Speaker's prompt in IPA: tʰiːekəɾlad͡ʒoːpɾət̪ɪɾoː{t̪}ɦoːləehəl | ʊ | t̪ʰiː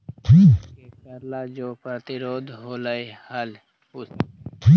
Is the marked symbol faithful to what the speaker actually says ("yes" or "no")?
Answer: no